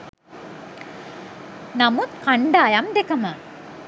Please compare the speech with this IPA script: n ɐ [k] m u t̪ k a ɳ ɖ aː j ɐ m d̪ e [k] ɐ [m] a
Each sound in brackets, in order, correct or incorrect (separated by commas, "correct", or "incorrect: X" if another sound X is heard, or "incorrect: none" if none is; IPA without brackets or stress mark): incorrect: none, correct, correct